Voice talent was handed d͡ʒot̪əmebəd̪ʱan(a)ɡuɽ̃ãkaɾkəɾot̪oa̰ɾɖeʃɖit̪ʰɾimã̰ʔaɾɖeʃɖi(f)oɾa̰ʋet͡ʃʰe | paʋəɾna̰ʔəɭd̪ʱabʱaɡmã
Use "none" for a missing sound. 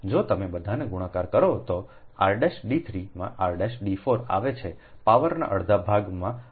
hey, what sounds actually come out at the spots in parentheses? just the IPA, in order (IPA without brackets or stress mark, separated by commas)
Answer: e, f